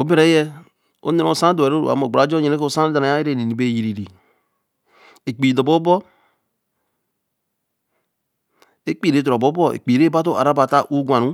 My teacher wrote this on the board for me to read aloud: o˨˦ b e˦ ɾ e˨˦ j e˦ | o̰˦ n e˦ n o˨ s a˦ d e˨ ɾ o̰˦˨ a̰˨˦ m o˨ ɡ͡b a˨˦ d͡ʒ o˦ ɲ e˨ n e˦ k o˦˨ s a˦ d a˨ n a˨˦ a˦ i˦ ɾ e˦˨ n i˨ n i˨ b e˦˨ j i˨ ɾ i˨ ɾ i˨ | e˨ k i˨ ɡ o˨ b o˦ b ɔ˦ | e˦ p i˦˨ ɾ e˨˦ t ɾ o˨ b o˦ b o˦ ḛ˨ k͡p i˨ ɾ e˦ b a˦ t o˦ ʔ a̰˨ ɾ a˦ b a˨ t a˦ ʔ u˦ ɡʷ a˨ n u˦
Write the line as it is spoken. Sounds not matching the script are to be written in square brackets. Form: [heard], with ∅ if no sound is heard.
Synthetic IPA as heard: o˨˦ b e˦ ɾ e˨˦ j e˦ | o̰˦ n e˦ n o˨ s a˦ d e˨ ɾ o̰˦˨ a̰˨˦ m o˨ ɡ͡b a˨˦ d͡ʒ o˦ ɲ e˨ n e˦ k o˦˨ s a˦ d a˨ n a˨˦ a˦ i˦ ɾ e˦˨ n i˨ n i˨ b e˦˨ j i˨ ɾ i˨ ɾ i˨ | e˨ [k͡p] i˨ [d] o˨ b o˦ b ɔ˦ | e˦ [k͡p] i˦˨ ɾ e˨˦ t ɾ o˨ b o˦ b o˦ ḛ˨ k͡p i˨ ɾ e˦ b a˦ t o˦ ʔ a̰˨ ɾ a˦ b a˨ t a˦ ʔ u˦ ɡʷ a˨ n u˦

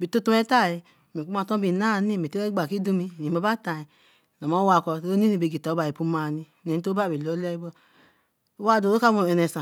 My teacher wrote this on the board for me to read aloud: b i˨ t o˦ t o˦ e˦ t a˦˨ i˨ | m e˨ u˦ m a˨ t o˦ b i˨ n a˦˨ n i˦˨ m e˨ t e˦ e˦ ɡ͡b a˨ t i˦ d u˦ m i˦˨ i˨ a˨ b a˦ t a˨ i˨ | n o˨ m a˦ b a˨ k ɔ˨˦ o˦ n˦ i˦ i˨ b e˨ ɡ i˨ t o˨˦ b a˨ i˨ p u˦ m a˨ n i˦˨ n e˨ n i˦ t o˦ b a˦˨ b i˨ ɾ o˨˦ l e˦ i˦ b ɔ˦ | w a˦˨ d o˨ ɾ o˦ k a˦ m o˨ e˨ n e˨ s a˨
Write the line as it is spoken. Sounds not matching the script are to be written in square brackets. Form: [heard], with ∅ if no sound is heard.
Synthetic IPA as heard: b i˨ t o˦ t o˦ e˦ t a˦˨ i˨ | m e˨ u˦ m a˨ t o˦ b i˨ n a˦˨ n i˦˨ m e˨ t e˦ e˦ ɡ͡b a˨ [k] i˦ d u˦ m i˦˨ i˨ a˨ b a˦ t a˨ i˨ | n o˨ m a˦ [w] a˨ k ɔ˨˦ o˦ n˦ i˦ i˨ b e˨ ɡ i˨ t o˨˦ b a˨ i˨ p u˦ m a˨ n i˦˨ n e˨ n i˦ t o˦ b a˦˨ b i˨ [l] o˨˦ l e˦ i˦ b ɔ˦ | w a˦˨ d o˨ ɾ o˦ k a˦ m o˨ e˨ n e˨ s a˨

